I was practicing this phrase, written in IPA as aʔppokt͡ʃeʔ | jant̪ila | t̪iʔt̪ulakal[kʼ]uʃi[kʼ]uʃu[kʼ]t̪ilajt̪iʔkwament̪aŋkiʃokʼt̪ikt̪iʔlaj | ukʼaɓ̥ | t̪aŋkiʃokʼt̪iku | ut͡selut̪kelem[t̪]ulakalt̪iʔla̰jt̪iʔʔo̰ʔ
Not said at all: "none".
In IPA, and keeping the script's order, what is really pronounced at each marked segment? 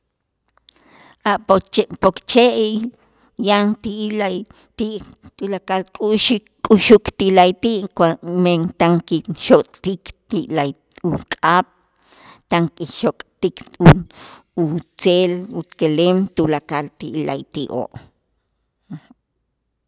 kʼ, kʼ, k, t̪

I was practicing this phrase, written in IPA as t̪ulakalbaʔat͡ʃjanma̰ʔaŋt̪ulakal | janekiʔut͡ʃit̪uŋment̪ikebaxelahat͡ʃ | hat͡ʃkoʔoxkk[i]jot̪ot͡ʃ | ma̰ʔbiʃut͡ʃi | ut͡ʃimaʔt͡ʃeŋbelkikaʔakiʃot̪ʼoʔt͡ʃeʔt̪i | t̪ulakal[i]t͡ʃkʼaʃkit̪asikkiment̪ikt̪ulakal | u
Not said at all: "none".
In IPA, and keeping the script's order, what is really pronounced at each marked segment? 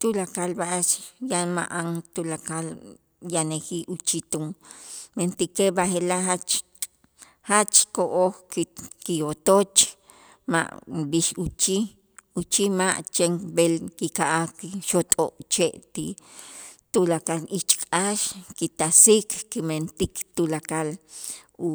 i, i

